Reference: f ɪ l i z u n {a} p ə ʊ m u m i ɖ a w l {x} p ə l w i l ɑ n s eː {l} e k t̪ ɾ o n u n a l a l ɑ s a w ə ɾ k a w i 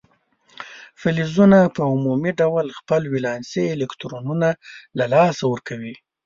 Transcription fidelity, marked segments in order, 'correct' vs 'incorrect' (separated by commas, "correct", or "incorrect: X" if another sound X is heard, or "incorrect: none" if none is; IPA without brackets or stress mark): correct, correct, correct